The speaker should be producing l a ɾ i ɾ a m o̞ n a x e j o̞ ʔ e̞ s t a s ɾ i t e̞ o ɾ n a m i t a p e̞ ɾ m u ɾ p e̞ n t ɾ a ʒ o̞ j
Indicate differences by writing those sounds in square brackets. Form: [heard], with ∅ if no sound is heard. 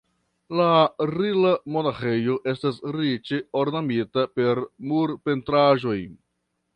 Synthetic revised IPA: l a ɾ i [l] a m o̞ n a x e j o̞ ʔ e̞ s t a s ɾ i [t͡ʃ] e̞ o ɾ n a m i t a p e̞ ɾ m u ɾ p e̞ n t ɾ a ʒ o̞ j

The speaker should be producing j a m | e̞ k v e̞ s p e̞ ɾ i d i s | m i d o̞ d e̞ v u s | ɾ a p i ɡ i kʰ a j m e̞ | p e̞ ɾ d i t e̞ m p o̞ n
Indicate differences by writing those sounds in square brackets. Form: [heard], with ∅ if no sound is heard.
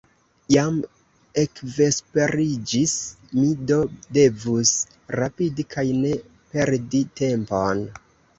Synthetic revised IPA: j a m | e̞ k v e̞ s p e̞ ɾ i [d͡ʒ] i s | m i d o̞ d e̞ v u s | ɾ a p i [d] i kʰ a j [n] e̞ | p e̞ ɾ d i t e̞ m p o̞ n

